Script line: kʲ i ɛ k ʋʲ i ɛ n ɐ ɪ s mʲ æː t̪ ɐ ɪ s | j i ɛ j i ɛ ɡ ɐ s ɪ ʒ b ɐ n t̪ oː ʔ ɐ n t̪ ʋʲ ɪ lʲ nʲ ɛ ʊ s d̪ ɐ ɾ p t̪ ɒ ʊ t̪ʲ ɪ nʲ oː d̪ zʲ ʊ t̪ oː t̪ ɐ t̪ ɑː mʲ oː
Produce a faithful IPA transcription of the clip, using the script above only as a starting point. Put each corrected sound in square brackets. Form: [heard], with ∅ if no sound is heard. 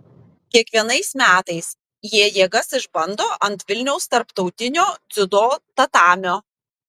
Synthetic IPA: kʲ i ɛ k ʋʲ i ɛ n ɐ ɪ s mʲ æː t̪ ɐ ɪ s | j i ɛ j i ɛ ɡ ɐ s ɪ ʒ b ɐ n [d̪] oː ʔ ɐ n t̪ ʋʲ ɪ lʲ nʲ ɛ ʊ s [t̪] ɐ ɾ p t̪ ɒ ʊ t̪ʲ ɪ nʲ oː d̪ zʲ ʊ [d̪] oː t̪ ɐ t̪ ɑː mʲ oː